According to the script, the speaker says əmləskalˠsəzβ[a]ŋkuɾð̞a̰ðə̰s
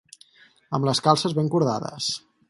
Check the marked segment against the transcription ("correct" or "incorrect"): incorrect